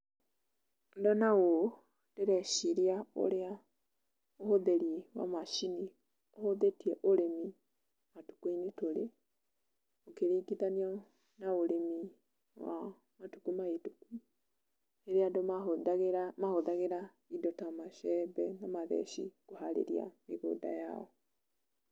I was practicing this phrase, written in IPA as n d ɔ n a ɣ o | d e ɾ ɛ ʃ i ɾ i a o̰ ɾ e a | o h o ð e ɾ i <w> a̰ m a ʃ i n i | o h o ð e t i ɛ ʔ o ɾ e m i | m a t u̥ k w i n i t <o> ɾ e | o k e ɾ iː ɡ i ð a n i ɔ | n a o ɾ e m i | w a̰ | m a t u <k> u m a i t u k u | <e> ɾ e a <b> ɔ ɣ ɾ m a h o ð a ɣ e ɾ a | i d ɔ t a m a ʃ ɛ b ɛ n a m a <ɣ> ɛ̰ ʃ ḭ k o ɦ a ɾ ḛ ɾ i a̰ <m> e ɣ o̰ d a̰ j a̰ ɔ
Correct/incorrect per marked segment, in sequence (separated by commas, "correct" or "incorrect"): correct, correct, correct, correct, incorrect, incorrect, correct